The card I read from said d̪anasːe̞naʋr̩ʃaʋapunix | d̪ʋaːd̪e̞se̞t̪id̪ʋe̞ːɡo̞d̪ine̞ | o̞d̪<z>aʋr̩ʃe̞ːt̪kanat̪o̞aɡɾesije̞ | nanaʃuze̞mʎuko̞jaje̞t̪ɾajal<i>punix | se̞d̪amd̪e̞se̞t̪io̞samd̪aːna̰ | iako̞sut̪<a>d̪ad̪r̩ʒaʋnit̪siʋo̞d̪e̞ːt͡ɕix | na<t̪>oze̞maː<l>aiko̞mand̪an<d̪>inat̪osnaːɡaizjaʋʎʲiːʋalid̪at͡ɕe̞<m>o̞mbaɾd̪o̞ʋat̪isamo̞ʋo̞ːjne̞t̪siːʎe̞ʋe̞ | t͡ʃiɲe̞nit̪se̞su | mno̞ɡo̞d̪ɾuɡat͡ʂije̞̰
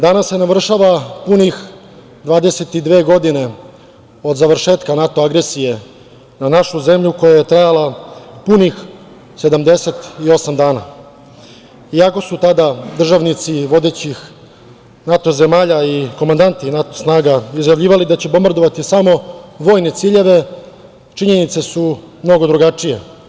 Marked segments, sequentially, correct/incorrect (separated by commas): correct, incorrect, correct, correct, incorrect, incorrect, incorrect